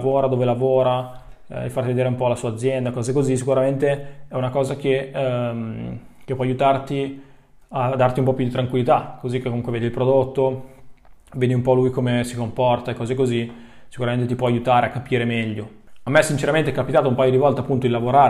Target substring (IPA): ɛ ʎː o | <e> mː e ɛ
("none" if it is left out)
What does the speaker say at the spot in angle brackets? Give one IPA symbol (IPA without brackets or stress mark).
a